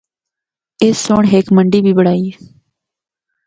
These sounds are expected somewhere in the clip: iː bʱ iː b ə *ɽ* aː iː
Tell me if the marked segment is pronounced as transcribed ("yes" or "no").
yes